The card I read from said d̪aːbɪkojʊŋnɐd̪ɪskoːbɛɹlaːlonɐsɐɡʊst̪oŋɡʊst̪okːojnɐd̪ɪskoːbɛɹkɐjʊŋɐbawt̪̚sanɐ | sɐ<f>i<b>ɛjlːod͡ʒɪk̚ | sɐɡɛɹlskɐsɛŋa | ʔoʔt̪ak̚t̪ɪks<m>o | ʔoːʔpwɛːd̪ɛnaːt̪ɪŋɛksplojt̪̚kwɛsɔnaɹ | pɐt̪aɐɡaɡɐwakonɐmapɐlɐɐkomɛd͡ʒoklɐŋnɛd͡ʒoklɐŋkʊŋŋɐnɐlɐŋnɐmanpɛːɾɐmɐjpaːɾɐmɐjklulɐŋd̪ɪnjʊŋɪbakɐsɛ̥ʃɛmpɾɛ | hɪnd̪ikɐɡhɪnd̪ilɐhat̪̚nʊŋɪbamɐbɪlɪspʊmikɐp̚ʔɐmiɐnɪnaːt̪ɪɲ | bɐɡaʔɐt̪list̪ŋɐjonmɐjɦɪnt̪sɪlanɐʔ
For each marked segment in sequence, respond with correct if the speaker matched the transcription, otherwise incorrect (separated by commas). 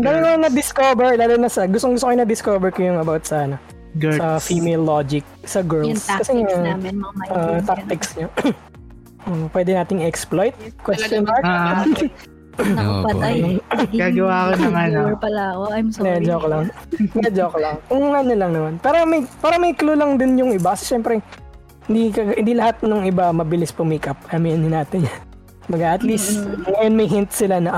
correct, incorrect, incorrect